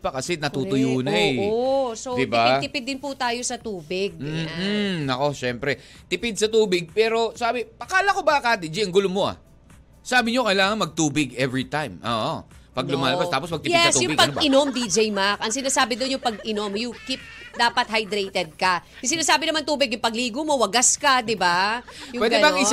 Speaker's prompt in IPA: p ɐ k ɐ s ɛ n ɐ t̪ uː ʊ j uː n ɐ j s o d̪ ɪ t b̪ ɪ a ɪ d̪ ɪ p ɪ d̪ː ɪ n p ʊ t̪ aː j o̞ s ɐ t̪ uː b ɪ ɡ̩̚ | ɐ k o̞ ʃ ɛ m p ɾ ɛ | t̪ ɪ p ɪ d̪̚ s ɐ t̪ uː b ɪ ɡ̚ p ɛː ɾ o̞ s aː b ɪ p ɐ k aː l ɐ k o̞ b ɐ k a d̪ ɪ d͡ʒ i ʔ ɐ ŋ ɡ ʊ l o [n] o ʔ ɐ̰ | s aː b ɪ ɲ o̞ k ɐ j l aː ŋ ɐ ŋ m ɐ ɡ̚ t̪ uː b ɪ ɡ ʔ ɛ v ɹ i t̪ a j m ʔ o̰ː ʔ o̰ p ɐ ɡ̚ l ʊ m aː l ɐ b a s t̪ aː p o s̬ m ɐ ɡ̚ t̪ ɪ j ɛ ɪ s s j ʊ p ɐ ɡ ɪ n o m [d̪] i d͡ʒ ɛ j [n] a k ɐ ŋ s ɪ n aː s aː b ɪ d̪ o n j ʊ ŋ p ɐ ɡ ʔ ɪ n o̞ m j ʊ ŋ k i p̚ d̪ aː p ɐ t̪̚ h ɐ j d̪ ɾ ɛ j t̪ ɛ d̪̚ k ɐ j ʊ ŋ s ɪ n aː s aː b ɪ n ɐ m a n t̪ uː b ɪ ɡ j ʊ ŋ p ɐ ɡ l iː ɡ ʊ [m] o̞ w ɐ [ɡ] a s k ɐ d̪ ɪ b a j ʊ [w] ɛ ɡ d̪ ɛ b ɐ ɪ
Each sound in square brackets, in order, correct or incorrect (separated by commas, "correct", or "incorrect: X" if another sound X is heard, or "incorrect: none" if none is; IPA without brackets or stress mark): incorrect: m, correct, incorrect: m, correct, correct, correct